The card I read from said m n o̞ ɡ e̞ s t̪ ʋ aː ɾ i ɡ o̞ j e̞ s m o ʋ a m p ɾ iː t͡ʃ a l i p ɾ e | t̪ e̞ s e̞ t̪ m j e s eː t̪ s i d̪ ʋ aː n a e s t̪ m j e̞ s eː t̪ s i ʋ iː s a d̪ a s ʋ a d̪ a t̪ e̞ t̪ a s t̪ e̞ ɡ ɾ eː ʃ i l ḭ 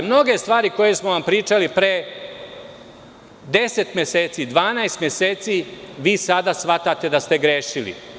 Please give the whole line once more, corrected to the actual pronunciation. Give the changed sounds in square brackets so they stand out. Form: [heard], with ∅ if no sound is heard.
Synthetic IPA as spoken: m n o̞ ɡ e̞ s t̪ ʋ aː ɾ i [k] o̞ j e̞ s m o ʋ a m p ɾ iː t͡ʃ a l i p ɾ e | [d̪] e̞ s e̞ t̪ m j e s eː t̪ s i d̪ ʋ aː n a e s t̪ m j e̞ s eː t̪ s i ʋ iː s a d̪ a s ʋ a [t̪] a t̪ e̞ [d̪] a s t̪ e̞ ɡ ɾ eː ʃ i l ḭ